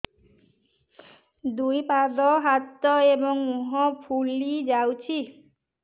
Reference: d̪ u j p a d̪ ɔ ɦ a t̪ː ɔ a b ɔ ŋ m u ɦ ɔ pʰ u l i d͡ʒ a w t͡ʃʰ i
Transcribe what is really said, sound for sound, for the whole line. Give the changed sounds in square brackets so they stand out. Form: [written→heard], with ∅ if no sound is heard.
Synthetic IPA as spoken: d̪ u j p a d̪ ɔ ɦ a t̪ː ɔ [a→e] b ɔ ŋ m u ɦ ɔ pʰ u l i d͡ʒ a w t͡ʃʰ i